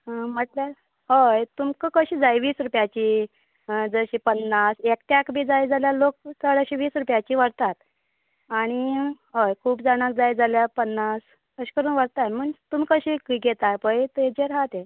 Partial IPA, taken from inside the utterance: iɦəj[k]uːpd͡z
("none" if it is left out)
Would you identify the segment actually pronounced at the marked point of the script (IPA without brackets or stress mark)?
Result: kʰ